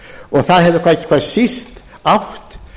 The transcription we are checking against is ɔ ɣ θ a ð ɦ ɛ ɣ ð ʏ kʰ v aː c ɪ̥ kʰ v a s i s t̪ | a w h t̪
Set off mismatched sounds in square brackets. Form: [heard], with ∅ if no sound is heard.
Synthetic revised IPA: ɔ ɣ θ a ð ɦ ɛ [v] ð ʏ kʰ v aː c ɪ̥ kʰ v a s i s t̪ | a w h t̪